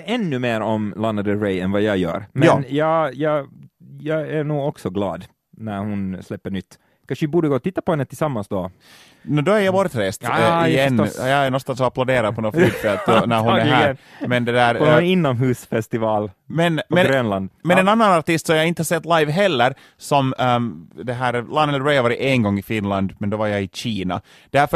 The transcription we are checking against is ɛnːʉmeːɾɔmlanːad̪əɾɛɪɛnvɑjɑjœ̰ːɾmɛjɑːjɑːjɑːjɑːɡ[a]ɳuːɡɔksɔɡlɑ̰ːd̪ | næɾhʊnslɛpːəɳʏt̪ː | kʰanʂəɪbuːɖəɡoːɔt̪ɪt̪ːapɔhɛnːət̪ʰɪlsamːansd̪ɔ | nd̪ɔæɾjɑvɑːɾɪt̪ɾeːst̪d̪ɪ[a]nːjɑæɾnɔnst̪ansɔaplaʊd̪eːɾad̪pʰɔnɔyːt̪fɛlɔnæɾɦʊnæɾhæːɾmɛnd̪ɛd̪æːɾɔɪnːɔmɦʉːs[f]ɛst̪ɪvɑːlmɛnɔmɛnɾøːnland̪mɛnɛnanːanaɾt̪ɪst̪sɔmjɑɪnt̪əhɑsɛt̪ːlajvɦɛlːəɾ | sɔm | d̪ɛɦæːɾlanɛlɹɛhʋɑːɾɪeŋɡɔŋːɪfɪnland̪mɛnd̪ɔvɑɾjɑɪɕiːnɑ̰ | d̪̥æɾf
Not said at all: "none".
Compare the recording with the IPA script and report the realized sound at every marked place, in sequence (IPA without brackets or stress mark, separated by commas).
æ, ɛ, f